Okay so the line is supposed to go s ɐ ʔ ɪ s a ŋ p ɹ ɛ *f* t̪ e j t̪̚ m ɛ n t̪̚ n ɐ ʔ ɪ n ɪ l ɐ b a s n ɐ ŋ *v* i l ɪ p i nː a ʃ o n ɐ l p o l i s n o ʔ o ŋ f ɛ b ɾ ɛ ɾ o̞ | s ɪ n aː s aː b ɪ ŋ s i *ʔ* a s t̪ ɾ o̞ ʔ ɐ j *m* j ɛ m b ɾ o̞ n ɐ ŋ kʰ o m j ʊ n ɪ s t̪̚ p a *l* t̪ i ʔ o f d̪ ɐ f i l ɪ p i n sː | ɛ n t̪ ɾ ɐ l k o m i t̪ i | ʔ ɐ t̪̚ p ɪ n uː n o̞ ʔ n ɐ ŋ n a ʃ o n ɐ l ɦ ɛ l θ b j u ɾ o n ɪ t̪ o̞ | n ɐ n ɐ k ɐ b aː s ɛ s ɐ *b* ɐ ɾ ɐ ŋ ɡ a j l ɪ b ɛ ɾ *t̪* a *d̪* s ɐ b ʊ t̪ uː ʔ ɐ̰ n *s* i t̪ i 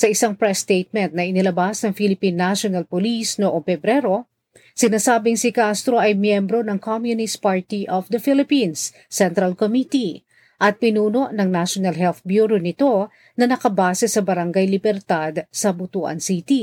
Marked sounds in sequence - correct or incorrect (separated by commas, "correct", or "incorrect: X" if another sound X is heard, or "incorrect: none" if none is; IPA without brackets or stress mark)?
incorrect: s, incorrect: f, incorrect: k, correct, incorrect: ɹ, correct, correct, correct, correct